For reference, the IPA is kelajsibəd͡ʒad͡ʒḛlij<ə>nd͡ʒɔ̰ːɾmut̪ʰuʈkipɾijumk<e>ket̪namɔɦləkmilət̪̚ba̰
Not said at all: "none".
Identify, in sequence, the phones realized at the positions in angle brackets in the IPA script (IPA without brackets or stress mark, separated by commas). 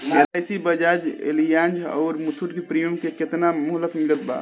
a, e